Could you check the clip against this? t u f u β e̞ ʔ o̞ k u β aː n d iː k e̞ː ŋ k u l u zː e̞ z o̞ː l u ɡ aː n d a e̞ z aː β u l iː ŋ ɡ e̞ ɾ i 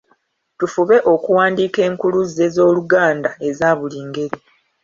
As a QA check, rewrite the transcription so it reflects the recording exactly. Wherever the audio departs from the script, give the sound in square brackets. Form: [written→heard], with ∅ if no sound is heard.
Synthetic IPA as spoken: t u f u β e̞ ʔ o̞ k u [β→w] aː n d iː k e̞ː ŋ k u l u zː e̞ z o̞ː l u ɡ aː n d a e̞ z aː β u l iː ŋ ɡ e̞ ɾ i

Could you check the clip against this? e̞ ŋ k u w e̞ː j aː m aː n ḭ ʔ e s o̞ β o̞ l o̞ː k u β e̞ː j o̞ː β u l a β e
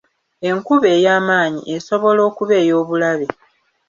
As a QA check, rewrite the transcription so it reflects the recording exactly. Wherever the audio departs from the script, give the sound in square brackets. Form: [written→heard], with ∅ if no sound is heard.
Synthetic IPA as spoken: e̞ ŋ k u [w→β] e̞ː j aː m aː [n→ɲ] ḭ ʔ e s o̞ β o̞ l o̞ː k u β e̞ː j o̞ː β u l a β e

